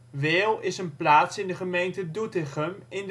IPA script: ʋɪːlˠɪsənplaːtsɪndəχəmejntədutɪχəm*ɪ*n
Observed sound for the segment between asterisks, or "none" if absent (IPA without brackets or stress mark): ɪ